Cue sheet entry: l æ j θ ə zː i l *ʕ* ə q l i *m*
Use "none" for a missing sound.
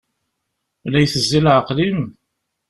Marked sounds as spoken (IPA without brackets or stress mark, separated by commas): ʕ, m